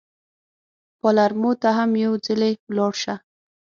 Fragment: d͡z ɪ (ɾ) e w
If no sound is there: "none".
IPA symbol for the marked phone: l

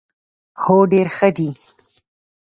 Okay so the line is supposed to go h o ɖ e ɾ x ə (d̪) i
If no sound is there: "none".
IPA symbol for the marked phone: d̪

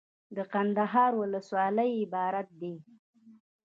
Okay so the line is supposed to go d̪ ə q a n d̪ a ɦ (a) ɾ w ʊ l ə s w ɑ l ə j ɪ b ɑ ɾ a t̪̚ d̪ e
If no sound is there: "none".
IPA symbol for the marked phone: ɑ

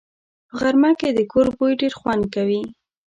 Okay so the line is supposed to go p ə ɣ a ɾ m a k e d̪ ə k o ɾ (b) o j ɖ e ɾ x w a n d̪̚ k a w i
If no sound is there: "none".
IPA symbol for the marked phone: b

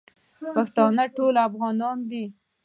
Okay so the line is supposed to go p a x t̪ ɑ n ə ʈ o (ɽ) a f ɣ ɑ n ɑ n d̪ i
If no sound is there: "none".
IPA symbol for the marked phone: l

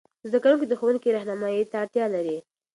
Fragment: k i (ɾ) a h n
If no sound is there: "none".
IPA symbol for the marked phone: ɾ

